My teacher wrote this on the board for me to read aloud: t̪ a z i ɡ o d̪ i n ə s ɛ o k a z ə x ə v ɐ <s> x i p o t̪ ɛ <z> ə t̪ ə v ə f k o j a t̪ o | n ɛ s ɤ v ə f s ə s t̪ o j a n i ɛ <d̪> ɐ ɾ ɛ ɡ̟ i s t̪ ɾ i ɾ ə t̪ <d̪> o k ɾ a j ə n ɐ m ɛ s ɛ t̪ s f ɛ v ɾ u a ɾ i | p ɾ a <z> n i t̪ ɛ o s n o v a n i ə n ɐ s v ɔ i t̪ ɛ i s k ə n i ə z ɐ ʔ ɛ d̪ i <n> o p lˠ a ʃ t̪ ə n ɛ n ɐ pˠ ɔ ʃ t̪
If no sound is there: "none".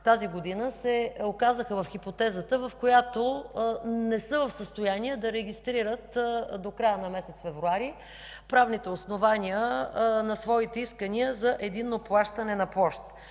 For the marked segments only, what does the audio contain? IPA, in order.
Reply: f, z, d̪, d̪, v, nː

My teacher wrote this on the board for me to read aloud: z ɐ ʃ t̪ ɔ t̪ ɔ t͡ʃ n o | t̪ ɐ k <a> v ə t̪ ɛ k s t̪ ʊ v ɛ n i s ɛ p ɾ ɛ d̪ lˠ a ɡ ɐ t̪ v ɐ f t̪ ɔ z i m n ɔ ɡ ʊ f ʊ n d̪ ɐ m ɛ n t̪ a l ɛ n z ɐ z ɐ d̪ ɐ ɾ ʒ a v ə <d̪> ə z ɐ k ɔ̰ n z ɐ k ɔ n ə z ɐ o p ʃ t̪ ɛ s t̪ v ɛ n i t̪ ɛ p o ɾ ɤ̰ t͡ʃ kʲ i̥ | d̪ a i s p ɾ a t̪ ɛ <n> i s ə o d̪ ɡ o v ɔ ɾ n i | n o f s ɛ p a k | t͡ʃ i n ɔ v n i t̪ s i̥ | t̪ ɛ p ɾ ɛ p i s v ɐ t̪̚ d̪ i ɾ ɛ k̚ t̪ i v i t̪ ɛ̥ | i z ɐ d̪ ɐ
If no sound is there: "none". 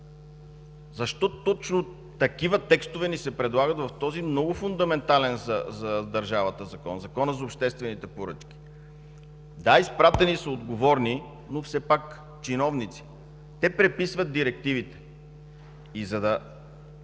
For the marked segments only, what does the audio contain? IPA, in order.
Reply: i, t̪, n

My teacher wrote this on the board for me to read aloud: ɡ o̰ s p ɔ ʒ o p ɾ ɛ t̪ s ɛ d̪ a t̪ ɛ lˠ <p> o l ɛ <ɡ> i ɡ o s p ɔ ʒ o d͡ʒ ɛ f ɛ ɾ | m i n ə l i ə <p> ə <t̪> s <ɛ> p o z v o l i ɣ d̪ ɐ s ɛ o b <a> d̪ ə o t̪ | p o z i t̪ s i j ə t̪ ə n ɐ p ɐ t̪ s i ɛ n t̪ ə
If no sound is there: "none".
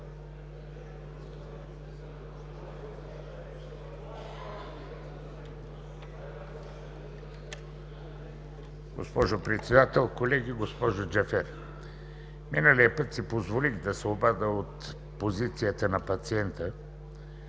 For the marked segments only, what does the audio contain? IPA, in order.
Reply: k, ɡ, p, t̪, i, a

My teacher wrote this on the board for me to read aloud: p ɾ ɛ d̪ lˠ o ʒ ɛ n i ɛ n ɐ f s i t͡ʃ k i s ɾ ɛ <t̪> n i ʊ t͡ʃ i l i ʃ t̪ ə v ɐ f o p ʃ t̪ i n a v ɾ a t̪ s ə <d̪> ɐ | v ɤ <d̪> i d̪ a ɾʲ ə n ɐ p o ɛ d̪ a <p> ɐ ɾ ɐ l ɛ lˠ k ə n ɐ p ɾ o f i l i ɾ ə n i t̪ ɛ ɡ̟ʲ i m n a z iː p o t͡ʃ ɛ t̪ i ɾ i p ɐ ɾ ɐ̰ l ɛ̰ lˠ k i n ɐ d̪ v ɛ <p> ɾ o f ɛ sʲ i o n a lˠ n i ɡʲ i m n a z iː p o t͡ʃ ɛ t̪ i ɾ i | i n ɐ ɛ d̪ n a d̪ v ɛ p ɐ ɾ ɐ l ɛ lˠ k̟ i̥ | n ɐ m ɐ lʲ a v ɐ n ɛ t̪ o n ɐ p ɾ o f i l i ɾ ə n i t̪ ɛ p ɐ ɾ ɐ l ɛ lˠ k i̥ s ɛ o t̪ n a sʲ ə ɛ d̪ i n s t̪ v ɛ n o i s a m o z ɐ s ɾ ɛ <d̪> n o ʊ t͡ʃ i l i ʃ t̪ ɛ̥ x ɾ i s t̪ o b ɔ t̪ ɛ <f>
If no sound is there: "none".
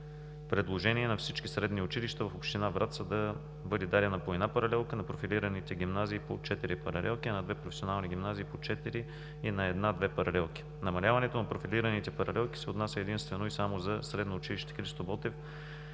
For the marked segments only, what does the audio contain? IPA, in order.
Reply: d̪, d̪, d̪, p, p, d̪, f

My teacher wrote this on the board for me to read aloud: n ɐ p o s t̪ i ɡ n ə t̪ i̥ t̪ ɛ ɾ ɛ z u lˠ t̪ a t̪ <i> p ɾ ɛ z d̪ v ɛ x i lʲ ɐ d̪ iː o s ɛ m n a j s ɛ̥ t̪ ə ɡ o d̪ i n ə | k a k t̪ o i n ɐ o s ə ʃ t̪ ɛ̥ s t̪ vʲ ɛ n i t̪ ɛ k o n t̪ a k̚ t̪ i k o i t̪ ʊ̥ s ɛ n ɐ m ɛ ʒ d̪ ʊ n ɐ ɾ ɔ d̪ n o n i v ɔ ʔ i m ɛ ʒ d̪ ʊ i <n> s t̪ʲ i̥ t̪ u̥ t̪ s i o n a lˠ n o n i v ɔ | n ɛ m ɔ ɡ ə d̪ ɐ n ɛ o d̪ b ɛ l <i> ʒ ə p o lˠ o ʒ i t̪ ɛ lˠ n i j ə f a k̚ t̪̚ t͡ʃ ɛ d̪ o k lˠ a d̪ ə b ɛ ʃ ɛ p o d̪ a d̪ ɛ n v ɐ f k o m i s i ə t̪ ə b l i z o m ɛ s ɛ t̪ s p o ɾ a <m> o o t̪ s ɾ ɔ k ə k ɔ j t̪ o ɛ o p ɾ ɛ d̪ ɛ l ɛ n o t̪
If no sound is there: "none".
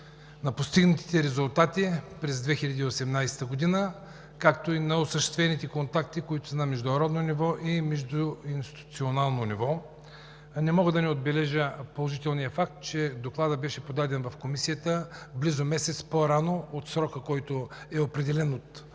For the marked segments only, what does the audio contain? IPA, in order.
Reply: i, n, ɛ, n

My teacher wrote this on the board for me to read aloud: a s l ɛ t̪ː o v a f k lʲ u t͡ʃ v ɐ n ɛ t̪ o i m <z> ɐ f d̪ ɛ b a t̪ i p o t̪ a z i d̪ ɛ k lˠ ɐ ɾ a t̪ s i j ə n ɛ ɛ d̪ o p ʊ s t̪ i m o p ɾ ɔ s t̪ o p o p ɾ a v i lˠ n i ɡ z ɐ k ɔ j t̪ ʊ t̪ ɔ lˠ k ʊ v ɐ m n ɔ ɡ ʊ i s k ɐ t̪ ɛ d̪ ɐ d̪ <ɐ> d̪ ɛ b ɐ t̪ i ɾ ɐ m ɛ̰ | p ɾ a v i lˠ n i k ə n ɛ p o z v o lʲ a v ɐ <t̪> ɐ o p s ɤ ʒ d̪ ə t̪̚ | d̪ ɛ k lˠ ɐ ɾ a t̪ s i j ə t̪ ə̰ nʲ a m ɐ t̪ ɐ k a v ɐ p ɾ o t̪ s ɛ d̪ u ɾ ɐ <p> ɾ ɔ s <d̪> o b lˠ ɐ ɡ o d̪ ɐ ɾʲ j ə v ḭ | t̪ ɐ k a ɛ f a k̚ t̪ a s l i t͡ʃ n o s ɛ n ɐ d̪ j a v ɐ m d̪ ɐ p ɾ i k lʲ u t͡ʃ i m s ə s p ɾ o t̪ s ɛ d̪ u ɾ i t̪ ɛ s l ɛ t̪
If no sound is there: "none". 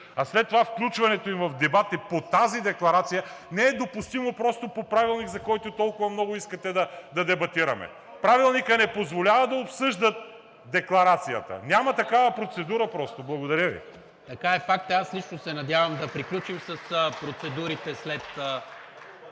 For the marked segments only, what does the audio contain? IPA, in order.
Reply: v, ɐ, d̪, p, t̪

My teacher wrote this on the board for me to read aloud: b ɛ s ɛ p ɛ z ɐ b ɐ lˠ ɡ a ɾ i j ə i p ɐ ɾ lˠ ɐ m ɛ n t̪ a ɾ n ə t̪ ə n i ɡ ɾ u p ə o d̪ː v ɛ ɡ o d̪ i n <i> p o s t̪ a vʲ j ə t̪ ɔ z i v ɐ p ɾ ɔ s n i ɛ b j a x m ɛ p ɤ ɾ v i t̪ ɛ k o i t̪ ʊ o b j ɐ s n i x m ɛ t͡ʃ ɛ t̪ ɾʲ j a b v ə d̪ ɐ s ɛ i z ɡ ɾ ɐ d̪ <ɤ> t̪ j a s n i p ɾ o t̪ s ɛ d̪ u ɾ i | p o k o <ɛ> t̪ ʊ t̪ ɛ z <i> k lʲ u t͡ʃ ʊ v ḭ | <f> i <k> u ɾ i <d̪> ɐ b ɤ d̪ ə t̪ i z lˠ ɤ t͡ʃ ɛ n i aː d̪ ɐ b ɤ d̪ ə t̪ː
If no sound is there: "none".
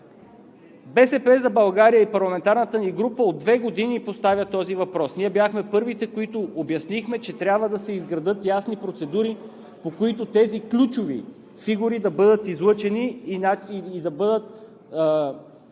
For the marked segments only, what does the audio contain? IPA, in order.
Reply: i, ɤ, i, i, f, ɡ, d̪

